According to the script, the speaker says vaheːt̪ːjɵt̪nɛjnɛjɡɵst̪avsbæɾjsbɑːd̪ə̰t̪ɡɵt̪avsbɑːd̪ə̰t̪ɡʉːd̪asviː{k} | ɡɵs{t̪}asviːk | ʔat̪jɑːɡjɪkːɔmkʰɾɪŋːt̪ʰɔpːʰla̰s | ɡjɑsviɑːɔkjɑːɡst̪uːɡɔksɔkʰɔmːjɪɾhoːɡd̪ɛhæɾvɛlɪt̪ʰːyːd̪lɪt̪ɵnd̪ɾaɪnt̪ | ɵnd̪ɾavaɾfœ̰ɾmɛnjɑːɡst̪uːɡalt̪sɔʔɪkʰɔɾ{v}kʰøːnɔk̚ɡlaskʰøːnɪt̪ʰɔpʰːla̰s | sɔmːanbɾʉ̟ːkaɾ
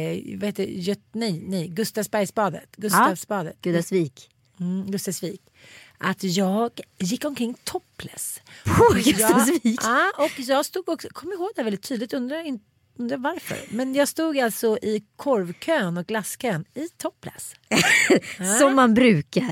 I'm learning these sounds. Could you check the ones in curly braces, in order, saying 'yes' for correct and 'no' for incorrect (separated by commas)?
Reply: yes, yes, yes